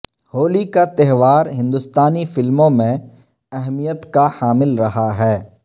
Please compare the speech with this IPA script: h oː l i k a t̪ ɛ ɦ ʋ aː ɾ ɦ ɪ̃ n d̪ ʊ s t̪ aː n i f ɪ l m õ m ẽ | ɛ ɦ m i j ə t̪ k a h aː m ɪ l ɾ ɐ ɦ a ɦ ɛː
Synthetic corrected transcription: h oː l i k a t̪ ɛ ɦ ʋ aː ɾ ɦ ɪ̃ n d̪ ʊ s t̪ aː n i f ɪ l m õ m ẽ | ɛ ɦ m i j ə t̪ k a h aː m ɪ l ɾ ɐ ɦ a ɦ ɛː